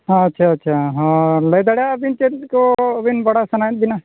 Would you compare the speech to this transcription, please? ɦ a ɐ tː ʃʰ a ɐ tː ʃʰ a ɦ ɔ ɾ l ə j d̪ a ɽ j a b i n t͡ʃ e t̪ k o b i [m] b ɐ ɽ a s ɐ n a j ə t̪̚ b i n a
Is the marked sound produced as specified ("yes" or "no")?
no